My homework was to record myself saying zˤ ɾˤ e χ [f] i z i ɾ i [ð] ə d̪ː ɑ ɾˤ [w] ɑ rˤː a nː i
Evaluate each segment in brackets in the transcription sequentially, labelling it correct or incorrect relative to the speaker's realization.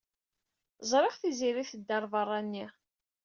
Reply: incorrect, incorrect, incorrect

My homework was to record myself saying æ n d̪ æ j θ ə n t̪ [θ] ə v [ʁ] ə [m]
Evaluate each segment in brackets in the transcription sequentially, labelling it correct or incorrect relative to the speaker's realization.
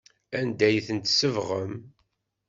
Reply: incorrect, correct, correct

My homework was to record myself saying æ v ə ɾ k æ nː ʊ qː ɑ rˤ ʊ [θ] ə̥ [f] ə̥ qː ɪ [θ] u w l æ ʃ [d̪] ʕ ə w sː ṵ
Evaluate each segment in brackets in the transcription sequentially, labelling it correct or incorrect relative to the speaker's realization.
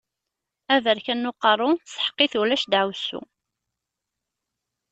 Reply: incorrect, incorrect, correct, correct

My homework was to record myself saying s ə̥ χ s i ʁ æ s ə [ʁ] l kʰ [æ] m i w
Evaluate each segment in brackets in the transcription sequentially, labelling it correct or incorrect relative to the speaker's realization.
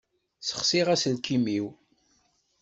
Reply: incorrect, incorrect

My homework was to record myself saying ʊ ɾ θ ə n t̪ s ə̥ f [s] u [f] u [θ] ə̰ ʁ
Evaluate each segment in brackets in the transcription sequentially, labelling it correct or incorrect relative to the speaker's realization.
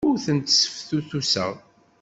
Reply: incorrect, incorrect, incorrect

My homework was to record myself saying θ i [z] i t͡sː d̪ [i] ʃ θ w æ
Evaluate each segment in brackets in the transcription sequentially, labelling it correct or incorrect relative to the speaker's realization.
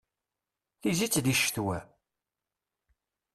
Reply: correct, correct

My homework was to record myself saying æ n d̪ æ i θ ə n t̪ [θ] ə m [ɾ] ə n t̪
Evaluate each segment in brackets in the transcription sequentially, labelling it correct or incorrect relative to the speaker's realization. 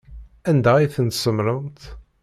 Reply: incorrect, correct

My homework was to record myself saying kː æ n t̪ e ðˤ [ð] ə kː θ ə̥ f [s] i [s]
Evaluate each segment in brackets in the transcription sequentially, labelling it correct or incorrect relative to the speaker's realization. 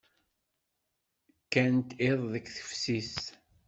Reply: correct, correct, correct

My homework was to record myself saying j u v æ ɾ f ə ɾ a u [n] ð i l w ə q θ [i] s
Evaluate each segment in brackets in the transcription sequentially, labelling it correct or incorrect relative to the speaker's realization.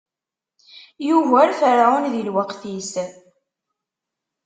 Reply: correct, correct

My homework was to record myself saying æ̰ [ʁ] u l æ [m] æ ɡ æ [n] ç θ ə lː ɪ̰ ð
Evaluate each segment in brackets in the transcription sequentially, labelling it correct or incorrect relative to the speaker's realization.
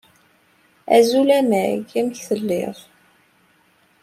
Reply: incorrect, correct, incorrect

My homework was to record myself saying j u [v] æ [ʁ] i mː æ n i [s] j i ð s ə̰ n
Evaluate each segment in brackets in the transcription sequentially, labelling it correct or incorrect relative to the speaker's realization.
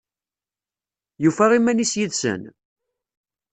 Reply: incorrect, correct, correct

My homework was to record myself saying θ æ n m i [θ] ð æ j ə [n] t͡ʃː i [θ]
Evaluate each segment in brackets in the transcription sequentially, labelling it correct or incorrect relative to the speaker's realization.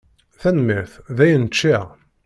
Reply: correct, correct, incorrect

